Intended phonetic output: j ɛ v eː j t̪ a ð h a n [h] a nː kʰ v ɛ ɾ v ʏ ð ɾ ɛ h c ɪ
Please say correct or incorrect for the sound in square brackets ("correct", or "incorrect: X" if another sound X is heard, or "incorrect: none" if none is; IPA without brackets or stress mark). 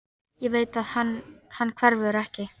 correct